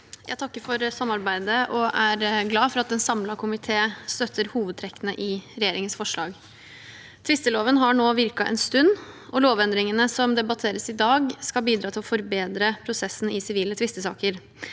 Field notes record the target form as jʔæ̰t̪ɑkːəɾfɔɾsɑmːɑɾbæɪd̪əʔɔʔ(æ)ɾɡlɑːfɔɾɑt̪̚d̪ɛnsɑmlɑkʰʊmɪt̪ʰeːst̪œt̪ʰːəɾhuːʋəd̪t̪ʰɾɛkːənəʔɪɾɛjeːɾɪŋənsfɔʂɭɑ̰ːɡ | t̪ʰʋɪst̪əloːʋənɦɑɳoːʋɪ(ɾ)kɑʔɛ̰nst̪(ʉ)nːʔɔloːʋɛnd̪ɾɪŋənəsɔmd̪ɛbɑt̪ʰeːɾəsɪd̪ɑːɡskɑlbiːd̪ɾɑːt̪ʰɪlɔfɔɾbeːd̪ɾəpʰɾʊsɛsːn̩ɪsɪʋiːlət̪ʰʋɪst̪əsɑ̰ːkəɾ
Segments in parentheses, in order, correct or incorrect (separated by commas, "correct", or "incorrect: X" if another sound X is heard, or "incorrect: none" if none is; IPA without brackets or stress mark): correct, correct, correct